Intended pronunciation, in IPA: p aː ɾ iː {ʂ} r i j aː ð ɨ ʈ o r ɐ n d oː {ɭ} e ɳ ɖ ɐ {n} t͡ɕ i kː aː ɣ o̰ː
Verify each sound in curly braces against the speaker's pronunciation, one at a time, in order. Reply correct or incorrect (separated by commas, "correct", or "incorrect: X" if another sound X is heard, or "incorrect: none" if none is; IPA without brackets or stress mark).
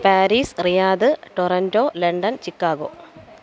incorrect: s, incorrect: l, correct